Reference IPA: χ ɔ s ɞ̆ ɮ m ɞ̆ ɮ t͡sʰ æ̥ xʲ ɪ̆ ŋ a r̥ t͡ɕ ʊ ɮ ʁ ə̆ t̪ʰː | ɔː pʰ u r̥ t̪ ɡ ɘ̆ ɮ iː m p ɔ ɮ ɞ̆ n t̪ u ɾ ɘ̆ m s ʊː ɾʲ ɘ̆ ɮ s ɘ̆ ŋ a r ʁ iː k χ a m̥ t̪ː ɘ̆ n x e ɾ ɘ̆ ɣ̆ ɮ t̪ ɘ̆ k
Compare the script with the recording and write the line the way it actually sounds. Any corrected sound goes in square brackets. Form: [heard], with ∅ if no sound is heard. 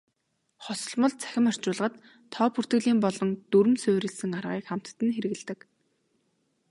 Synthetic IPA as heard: χ ɔ s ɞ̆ ɮ m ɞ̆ ɮ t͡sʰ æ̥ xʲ ɪ̆ [m] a r̥ t͡ɕ [ʊː] ɮ ʁ ə̆ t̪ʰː | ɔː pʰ u r̥ t̪ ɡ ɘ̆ ɮ iː m p ɔ ɮ ɞ̆ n t̪ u ɾ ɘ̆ m s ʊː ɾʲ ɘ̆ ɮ s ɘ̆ ŋ a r ʁ iː k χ a m̥ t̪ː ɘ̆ n x e ɾ ɘ̆ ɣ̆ ɮ t̪ ɘ̆ k

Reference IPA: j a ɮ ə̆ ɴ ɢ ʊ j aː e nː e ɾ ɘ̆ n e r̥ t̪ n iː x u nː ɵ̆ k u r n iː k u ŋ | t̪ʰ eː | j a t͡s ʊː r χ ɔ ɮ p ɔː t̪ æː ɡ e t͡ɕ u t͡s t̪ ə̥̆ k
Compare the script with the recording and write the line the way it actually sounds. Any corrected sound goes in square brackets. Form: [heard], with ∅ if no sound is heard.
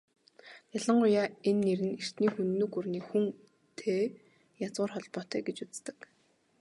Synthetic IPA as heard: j a ɮ ə̆ ɴ ɢ ʊ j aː e nː e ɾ ɘ̆ n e r̥ t̪ n iː x u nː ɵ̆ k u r n iː [x] u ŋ | t̪ʰ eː | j a t͡s ʊː r χ ɔ ɮ p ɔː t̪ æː ɡ e t͡ɕ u t͡s t̪ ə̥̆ k

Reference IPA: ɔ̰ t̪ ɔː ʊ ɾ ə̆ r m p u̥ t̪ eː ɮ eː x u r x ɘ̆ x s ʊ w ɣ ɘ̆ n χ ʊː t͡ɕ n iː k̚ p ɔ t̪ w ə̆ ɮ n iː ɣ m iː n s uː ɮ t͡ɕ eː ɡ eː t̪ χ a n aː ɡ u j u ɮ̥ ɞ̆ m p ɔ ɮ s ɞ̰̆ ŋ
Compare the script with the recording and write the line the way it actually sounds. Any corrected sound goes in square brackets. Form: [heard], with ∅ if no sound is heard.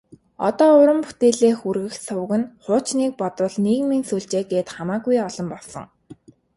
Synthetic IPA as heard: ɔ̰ t̪ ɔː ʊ ɾ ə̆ [∅] m p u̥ t̪ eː ɮ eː x u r [ɣ] ɘ̆ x s ʊ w ɣ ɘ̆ n χ ʊː t͡ɕ n iː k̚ p ɔ t̪ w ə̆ ɮ n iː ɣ m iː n s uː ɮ t͡ɕ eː ɡ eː t̪ χ a [m] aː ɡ u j [ɔ] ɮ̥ ɞ̆ m p ɔ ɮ s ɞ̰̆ ŋ

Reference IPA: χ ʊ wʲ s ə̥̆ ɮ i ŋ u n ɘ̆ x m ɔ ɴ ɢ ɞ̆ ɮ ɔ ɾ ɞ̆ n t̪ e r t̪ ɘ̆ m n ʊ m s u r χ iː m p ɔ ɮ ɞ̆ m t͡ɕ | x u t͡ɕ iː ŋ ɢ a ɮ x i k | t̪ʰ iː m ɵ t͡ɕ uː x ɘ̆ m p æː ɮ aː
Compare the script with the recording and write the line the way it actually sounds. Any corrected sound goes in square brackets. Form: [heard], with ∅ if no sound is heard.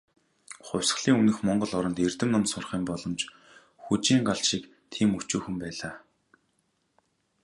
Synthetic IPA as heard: χ ʊ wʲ s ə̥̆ ɮ [iː] ŋ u n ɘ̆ x m ɔ ɴ ɢ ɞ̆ ɮ ɔ ɾ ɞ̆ n t̪ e r t̪ ɘ̆ m n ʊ m s [ʊ] r χ iː m p ɔ ɮ ɞ̆ m t͡ɕ | x u t͡ɕ iː ŋ ɢ a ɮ [ʃ] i k | t̪ʰ iː m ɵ t͡ɕ uː x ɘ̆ m p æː ɮ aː

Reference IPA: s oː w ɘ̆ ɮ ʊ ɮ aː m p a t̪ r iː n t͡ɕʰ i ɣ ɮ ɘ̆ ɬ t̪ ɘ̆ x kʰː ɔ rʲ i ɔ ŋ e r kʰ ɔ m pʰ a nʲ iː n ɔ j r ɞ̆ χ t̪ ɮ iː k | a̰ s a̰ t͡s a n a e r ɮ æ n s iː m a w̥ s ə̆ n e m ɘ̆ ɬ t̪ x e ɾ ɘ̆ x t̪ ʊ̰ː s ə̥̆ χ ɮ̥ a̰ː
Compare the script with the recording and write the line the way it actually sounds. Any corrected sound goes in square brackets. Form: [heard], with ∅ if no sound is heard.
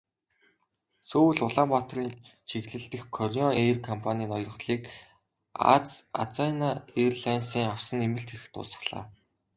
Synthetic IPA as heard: s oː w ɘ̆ ɮ ʊ ɮ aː m p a t̪ r iː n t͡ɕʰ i ɣ ɮ ɘ̆ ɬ t̪ ɘ̆ x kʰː ɔ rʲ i ɔ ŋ e r kʰ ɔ m pʰ a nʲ iː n ɔ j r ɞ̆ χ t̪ ɮ iː k | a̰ [t͡s] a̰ t͡s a n a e r ɮ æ n s iː [ŋ] a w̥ s ə̆ n e m ɘ̆ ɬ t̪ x e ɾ ɘ̆ x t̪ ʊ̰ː s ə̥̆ χ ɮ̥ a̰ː

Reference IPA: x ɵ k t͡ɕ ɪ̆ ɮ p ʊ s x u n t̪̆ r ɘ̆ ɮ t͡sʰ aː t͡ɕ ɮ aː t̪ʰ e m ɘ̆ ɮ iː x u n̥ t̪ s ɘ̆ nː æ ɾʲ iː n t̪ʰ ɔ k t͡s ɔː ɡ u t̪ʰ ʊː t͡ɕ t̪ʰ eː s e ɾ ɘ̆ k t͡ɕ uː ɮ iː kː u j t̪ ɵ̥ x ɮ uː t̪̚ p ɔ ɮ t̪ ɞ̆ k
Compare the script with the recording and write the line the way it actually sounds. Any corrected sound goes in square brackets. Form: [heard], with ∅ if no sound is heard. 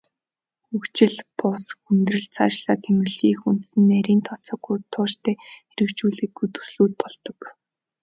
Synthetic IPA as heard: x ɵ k t͡ɕ ɪ̆ ɮ p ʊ s x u n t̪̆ r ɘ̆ ɮ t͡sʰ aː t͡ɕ ɮ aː t̪ʰ e m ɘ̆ ɮ iː x u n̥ t̪ s ɘ̆ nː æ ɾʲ iː n t̪ʰ ɔ [∅] t͡s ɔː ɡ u t̪ʰ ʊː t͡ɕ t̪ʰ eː [x] e ɾ ɘ̆ k t͡ɕ uː ɮ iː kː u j t̪ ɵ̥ [s] ɮ uː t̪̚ p ɔ ɮ t̪ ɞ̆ k

